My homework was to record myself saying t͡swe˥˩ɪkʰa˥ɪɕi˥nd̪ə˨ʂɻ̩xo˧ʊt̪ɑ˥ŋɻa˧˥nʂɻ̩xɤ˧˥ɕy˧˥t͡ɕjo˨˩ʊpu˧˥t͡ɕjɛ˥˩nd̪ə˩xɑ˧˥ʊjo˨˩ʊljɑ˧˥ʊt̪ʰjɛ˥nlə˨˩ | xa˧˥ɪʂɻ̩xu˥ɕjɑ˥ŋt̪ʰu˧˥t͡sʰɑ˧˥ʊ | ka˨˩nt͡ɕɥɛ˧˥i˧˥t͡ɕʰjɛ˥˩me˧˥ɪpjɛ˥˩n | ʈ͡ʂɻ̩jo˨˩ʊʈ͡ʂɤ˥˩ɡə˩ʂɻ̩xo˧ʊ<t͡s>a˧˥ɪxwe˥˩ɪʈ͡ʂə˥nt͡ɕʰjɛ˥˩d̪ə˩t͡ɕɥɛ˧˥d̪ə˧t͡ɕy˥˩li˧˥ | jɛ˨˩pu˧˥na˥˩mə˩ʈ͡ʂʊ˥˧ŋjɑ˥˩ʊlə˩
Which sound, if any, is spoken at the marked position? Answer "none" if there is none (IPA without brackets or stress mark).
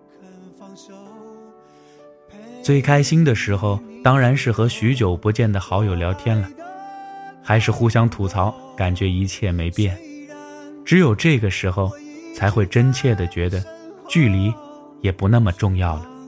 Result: t͡sʰ